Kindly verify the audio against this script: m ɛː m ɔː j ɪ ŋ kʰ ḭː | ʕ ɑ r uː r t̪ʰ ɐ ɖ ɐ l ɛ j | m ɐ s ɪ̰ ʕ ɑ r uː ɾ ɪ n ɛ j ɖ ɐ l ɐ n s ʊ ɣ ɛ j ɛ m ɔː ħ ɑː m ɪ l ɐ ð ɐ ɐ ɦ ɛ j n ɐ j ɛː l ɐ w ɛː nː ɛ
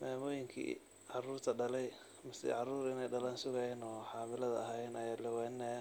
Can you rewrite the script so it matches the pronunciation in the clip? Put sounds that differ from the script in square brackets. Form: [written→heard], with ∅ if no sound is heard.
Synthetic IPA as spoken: m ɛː m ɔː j ɪ ŋ kʰ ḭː | ʕ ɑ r uː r t̪ʰ ɐ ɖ ɐ l ɛ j | m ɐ s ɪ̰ ʕ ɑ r uː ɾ ɪ n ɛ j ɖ ɐ l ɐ n s ʊ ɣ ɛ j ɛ [m→n] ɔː ħ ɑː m ɪ l ɐ ð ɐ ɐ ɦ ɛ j n ɐ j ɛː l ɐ w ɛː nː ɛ